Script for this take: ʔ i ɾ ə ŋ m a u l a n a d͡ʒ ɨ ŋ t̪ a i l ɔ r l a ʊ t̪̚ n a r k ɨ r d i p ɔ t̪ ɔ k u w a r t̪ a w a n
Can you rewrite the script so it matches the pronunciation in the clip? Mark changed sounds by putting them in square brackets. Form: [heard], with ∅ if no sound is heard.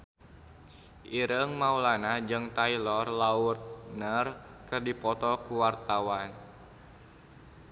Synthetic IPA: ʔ i ɾ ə ŋ m a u l a n a d͡ʒ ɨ ŋ t̪ a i l ɔ r l a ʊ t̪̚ n [ə] r k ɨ r d i p ɔ t̪ ɔ k u w a r t̪ a w a n